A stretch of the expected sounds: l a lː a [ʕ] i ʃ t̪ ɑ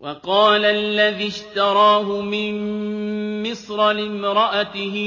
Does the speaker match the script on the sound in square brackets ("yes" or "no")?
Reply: no